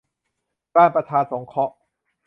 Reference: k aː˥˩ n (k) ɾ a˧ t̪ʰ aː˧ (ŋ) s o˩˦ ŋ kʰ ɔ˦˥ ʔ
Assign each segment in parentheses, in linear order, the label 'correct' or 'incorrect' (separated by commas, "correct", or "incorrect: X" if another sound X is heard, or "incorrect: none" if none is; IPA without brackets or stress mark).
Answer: incorrect: p, incorrect: n